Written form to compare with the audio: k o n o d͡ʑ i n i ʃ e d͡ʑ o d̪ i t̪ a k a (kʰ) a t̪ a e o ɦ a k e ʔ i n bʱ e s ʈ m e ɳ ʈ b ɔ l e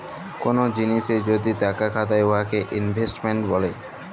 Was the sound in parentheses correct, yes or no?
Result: yes